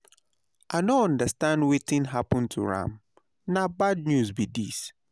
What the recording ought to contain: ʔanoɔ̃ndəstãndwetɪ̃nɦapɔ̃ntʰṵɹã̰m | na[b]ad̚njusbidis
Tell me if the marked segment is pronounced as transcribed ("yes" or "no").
yes